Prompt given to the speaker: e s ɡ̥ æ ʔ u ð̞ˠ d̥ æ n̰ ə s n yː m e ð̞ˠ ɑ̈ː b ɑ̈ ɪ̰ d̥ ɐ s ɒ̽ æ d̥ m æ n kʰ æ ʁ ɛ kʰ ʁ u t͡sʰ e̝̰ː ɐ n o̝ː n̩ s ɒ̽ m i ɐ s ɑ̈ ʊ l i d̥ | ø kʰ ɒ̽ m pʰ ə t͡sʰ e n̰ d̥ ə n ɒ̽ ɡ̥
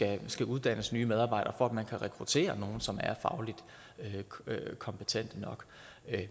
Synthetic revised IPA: æ s ɡ̥ æ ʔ u ð̞ˠ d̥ æ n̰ ə s n yː m e ð̞ˠ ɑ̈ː b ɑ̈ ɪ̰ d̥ ɐ f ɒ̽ æ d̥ m æ n kʰ æ ʁ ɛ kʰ ʁ u t͡sʰ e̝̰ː ɐ n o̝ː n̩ s ɒ̽ m æ ɐ f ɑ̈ ʊ l i d̥ | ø kʰ ɒ̽ m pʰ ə t͡sʰ e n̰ d̥ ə n ɒ̽ ɡ̥